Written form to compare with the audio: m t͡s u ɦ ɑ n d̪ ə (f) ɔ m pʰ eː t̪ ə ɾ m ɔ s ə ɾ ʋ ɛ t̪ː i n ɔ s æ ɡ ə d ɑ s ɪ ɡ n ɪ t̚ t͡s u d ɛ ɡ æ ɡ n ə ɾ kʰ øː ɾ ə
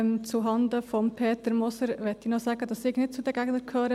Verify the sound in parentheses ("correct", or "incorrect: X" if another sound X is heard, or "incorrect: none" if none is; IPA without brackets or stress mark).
correct